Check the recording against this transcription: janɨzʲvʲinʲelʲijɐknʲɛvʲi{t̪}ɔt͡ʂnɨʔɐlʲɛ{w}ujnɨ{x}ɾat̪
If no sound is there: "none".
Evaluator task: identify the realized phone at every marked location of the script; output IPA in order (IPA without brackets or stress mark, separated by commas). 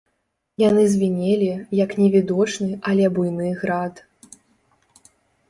d̪, b, ɣ